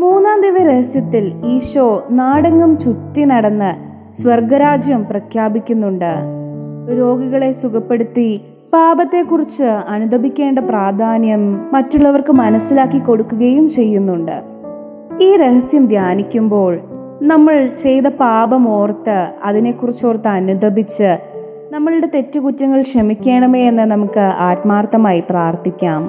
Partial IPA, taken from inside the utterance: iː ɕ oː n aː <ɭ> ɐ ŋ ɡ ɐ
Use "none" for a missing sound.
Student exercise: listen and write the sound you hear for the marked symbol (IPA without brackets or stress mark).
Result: ɽ